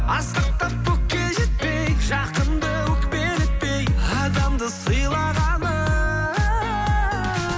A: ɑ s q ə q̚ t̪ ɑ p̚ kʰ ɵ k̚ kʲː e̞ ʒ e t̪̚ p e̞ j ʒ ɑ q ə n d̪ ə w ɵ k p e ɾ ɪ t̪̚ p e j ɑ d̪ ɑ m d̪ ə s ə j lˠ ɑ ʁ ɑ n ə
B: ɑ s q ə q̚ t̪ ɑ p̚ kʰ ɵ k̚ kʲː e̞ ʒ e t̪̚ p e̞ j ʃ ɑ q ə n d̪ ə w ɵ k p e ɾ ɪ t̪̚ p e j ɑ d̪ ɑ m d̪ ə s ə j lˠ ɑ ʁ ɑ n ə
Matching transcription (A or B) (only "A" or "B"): A